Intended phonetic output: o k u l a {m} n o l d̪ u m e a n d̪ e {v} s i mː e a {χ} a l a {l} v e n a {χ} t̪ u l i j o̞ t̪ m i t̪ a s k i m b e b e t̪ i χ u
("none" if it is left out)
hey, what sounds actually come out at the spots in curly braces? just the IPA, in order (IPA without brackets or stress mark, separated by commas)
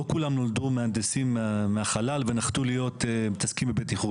m, none, χ, l, χ